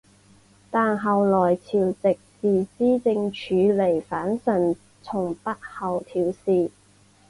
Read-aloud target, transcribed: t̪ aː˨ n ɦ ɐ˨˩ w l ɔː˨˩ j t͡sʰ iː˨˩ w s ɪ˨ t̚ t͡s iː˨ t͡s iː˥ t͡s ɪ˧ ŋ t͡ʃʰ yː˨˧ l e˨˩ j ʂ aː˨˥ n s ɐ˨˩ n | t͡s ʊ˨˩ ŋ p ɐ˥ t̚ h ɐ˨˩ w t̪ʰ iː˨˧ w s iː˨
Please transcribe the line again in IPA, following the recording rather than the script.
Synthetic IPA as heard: t̪ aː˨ n ɦ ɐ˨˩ w l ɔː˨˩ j t͡sʰ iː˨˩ w t͡s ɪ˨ k̚ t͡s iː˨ t͡s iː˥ t͡s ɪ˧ ŋ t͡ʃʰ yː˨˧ l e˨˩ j f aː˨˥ n s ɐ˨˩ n | t͡sʰ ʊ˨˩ ŋ p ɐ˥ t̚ h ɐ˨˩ w t̪ʰ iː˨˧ w s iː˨